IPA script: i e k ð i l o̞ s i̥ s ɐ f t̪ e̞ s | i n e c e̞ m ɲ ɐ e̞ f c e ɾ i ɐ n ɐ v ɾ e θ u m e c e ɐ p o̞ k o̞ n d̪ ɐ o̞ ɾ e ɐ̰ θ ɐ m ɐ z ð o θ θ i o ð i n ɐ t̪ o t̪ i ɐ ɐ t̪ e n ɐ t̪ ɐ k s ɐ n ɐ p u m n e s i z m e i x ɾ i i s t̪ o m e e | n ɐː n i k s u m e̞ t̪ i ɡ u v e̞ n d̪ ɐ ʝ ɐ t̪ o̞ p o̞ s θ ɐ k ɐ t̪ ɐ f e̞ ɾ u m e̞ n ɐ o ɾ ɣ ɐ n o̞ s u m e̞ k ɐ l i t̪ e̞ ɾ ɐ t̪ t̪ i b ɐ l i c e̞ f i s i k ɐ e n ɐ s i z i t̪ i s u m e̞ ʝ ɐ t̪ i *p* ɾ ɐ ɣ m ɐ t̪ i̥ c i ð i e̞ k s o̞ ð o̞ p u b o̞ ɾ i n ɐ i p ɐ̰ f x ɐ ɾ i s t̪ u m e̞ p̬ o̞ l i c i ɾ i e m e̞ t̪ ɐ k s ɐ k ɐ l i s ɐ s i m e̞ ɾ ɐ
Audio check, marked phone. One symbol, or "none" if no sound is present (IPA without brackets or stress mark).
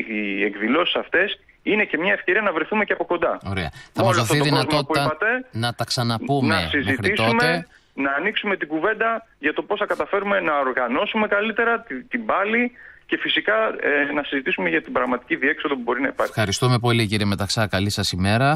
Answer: b